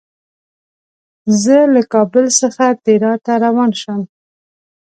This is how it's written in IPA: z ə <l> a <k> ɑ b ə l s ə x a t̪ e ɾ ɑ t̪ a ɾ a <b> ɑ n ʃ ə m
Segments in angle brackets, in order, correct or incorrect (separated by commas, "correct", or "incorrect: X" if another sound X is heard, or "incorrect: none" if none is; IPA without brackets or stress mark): correct, correct, incorrect: w